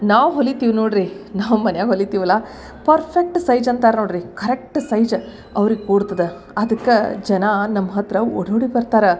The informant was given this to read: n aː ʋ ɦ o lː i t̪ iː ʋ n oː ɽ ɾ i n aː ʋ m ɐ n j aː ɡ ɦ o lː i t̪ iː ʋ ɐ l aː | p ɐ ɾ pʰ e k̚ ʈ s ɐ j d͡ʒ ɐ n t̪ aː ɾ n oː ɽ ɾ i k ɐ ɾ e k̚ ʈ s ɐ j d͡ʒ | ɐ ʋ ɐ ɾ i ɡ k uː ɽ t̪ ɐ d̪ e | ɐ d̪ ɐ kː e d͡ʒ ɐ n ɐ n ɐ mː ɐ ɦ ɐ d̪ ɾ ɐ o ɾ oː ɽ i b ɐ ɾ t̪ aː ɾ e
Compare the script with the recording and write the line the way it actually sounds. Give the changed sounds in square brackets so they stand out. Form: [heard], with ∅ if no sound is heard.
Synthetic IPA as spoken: n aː ʋ ɦ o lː i t̪ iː ʋ n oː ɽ ɾ i n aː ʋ m ɐ n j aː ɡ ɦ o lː i t̪ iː ʋ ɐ l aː | p ɐ ɾ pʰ e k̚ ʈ s ɐ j d͡ʒ ɐ n t̪ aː ɾ n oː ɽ ɾ i k ɐ ɾ e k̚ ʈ s ɐ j d͡ʒ | ɐ ʋ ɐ ɾ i ɡ k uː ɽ t̪ ɐ d̪ e | ɐ d̪ ɐ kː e d͡ʒ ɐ n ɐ n ɐ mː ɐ ɦ ɐ [t̪] ɾ ɐ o [ɽ] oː ɽ i b ɐ ɾ t̪ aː ɾ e